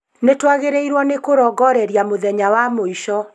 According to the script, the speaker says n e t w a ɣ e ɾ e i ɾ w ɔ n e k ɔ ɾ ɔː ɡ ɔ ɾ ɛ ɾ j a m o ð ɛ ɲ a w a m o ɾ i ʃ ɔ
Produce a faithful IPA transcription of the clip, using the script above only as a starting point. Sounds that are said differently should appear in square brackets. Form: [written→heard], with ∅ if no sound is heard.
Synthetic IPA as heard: n e t w a ɣ e ɾ e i ɾ w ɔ n e k [ɔ→o] ɾ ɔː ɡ ɔ ɾ ɛ ɾ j a m o ð ɛ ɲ a w a m o [ɾ→∅] i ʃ ɔ

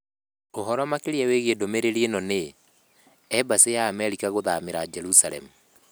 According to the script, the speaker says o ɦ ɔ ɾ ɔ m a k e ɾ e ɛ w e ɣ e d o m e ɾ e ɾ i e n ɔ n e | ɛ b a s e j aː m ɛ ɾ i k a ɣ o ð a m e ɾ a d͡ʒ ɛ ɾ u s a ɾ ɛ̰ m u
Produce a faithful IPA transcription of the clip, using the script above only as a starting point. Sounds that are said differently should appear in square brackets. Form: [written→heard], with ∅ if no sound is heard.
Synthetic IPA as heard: o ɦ ɔ ɾ ɔ m a k e ɾ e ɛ w e ɣ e d o m e ɾ e ɾ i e n ɔ n e | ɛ b a s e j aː m ɛ ɾ i k a ɣ o ð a m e ɾ a d͡ʒ ɛ ɾ u s a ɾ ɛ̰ m u

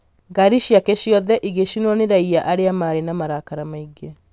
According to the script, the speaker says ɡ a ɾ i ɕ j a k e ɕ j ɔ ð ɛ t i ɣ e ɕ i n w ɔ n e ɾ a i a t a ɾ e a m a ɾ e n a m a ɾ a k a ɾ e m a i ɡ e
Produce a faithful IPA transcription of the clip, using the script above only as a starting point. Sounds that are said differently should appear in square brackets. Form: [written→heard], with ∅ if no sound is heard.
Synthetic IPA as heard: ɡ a ɾ i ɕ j a k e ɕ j ɔ ð ɛ [t→ʔ] i ɣ e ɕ i n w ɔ n e ɾ a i a [t→ʔ] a ɾ e a m a ɾ e n a m a ɾ a k a ɾ [e→a] m a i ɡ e

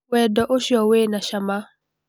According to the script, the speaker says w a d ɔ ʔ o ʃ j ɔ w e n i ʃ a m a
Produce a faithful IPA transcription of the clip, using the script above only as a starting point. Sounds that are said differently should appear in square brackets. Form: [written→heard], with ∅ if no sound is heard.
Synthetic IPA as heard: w [a→ɛ] d ɔ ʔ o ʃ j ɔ w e n [i→a] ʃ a m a

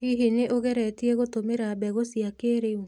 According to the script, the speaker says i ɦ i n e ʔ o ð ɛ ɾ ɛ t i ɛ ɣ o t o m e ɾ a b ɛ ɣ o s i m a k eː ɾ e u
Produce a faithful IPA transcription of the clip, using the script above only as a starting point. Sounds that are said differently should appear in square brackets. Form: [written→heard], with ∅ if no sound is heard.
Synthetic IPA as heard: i ɦ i n e ʔ o [ð→ɣ] ɛ ɾ ɛ t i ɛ ɣ o t o m e ɾ a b ɛ ɣ o s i [m→∅] a k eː ɾ e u

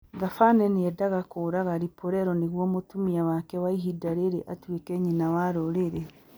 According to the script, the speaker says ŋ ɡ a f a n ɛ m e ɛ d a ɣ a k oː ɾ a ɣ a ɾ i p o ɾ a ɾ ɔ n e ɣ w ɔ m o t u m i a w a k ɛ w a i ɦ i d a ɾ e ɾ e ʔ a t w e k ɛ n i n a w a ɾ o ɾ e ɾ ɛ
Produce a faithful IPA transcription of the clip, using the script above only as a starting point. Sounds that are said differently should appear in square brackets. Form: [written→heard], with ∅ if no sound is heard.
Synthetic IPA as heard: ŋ ɡ a f a n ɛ [m→n] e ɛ d a ɣ a k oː ɾ a ɣ a ɾ i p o ɾ [a→ɛ] ɾ ɔ n e ɣ w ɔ m o t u m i a w a k ɛ w a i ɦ i d a ɾ e ɾ e ʔ a t w e k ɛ [n→ɲ] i n a w a ɾ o ɾ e ɾ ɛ

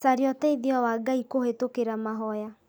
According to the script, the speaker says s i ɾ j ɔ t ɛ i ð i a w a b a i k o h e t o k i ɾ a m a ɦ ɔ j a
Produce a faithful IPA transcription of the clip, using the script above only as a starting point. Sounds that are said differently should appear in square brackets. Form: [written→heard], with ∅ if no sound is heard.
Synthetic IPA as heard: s [i→a] ɾ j ɔ t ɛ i ð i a w a [b→ɡ] a i k o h e t o k [i→e] ɾ a m a ɦ ɔ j a

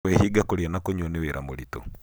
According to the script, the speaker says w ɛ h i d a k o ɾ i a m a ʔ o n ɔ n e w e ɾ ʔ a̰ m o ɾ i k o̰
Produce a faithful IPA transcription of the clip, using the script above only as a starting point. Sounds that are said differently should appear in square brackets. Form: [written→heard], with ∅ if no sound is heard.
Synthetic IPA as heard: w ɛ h i [d→ɡ] a k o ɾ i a [m→n] a [ʔ→k] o [n→ɲ] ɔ n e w e ɾ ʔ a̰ m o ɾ i [k→t] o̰

